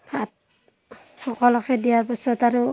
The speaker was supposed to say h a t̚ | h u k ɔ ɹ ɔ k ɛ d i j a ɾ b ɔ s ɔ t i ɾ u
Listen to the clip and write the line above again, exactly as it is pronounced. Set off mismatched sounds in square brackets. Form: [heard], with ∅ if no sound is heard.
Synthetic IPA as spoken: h a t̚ | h [ɔ] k ɔ [l] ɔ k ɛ d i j a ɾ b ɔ s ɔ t [a] ɾ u